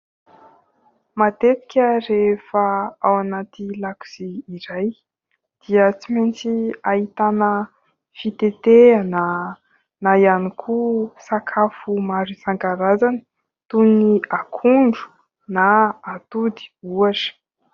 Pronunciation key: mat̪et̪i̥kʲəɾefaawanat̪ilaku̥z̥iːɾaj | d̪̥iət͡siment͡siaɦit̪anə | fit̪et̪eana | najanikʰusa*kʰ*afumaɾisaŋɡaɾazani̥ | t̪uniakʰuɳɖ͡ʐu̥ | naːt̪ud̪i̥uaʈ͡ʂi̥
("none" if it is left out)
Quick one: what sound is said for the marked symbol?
kʰ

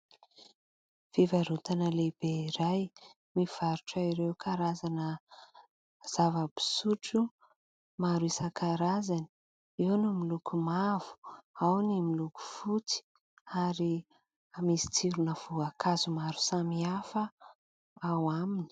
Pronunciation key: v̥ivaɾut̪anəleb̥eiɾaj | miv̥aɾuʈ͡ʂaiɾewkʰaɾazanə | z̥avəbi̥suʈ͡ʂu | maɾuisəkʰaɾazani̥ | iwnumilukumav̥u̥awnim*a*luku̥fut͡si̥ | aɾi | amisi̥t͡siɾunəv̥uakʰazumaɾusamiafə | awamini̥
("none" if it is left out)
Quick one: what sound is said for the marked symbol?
i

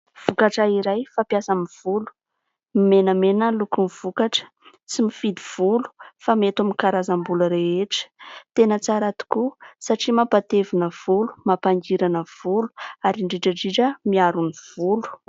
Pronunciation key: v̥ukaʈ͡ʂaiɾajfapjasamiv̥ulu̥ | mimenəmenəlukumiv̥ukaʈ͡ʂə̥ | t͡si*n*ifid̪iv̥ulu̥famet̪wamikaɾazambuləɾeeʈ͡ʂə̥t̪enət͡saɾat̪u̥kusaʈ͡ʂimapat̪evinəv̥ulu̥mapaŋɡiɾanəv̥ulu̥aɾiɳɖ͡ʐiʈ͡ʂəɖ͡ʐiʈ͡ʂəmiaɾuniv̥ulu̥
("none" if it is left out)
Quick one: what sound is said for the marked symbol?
m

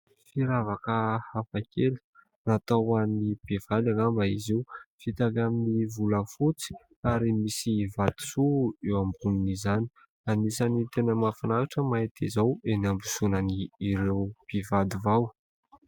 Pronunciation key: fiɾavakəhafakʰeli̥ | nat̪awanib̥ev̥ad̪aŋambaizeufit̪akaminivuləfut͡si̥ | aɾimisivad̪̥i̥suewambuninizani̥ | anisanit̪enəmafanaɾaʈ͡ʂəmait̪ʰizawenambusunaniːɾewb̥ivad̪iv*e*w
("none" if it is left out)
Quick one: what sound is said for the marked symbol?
a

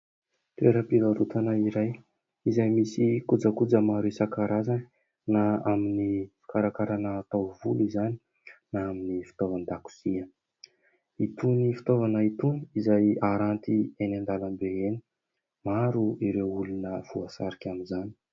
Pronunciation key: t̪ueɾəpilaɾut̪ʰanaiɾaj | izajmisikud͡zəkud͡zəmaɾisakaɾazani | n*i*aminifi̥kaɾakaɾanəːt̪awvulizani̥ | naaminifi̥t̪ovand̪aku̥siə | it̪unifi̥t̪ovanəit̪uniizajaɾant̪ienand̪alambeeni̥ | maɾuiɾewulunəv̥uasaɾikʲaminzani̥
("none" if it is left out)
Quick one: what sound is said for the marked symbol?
a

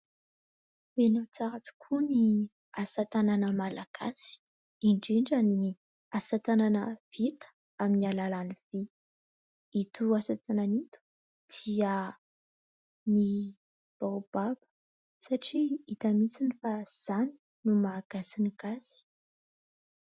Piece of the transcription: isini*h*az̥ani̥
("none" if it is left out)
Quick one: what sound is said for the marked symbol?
f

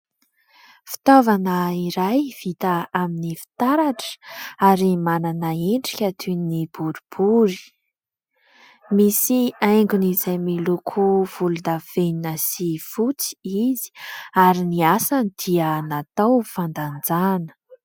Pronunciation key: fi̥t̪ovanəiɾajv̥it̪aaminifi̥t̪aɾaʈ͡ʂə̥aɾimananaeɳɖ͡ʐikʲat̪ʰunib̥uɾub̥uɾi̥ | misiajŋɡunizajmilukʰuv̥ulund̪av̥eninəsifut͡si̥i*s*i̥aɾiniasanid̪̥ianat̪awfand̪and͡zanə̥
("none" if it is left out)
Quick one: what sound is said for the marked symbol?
z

